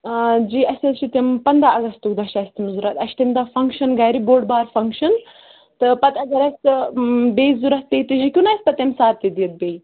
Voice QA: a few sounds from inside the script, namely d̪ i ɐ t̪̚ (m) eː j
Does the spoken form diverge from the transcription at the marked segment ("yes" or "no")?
yes